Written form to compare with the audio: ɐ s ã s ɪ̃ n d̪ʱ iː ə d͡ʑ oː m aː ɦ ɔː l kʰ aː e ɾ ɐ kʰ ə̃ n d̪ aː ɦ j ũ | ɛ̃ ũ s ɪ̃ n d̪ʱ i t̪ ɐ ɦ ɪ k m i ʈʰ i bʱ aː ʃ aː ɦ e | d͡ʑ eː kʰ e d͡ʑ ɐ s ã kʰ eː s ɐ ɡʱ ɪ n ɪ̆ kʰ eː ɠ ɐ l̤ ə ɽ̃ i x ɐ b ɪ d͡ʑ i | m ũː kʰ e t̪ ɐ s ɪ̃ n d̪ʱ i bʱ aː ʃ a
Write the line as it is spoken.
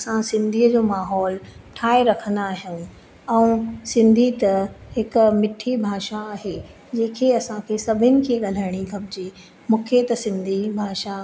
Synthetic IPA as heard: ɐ s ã s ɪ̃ n d̪ʱ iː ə d͡ʑ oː m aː ɦ ɔː l ʈʰ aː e ɾ ɐ kʰ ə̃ n d̪ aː ɦ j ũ | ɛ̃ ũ s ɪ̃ n d̪ʱ i t̪ ɐ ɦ ɪ k m ɪ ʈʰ i bʱ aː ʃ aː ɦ e | d͡ʑ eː kʰ e ɐ s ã kʰ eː s ɐ bʱ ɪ n ɪ̆ kʰ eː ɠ ɐ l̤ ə ɽ̃ i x ɐ b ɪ d͡ʑ i | m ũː kʰ e t̪ ɐ s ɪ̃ n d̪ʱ i bʱ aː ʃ a